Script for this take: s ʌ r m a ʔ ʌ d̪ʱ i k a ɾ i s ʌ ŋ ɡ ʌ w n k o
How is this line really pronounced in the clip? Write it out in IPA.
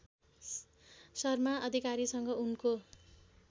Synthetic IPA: s ʌ r m a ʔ ʌ d̪ʱ i k a ɾ i s ʌ ŋ ɡ ʌ u n k o